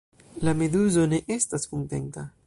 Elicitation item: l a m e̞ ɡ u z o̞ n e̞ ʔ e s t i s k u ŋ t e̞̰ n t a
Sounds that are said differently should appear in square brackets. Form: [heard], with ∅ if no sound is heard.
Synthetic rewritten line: l a m e̞ [d] u z o̞ n e̞ ʔ e s t [a] s k u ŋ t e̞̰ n t a

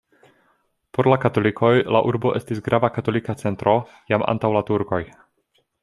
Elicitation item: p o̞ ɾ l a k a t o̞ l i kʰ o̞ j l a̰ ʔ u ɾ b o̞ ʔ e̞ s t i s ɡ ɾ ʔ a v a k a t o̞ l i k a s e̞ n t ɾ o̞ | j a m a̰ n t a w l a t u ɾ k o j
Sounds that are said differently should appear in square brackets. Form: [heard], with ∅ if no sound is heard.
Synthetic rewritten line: p o̞ ɾ l a k a t o̞ l i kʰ o̞ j l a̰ ʔ u ɾ b o̞ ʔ e̞ s t i s ɡ ɾ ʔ a v a k a t o̞ l i k a [t͡s] e̞ n t ɾ o̞ | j a m a̰ n t a w l a t u ɾ k o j

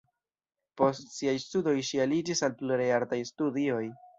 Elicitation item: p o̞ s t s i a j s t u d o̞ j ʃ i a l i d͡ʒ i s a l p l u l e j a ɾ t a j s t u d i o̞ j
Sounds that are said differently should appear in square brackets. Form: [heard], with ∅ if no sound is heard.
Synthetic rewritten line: p o̞ s t s i a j s t u d o̞ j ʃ i a l i d͡ʒ i s a l p l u [ɾ] e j a ɾ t a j s t u d i o̞ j

